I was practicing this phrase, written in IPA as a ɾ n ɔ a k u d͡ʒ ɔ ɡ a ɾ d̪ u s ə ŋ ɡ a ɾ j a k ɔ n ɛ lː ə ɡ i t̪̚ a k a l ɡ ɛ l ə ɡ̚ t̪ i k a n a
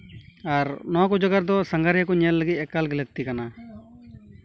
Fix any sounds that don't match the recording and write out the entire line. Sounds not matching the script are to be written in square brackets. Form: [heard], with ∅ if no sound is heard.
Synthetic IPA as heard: a ɾ n ɔ a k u d͡ʒ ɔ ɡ a ɾ d̪ [ɔ] s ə ŋ ɡ a ɾ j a k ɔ [ɲ] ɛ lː ə ɡ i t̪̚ [ɛ] k a l ɡ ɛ l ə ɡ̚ t̪ i k a n a